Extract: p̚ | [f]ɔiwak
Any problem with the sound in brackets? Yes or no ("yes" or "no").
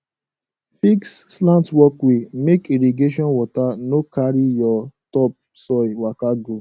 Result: yes